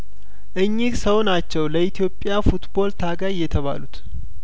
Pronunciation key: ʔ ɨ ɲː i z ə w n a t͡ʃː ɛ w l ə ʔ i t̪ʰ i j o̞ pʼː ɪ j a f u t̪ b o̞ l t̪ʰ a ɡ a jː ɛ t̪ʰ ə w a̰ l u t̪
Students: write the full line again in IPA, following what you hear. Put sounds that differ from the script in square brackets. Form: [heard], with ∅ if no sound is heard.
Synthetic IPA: ʔ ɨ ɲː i [s] ə w n a t͡ʃː ɛ w l ə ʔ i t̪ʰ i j o̞ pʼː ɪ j a f u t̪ b o̞ l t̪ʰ a ɡ a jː ɛ t̪ʰ ə [β] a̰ l u t̪